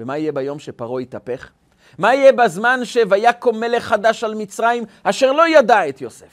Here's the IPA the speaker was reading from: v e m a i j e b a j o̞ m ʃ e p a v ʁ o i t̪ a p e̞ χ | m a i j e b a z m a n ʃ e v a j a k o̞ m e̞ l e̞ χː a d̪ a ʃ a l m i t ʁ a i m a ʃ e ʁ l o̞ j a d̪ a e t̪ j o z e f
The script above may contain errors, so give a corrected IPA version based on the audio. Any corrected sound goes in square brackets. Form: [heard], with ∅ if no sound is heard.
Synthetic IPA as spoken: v e m a i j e b a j o̞ m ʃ e p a [∅] ʁ o i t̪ a p e̞ χ | m a i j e b a z m a n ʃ e v a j a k o̞ m e̞ l e̞ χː a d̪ a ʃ a l m i [t͡s] ʁ a i m a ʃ e ʁ l o̞ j a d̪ a e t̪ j o [s] e f